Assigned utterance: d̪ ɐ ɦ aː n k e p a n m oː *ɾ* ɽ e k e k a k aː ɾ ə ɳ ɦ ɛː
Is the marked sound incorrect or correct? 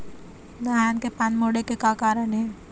incorrect